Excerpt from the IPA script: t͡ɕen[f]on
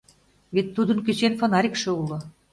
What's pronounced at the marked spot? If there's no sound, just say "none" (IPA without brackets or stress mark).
f